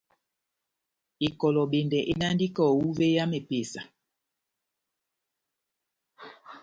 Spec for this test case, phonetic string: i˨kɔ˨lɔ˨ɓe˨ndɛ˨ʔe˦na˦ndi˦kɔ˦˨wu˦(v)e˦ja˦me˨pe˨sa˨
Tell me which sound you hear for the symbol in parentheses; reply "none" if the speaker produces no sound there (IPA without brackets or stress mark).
v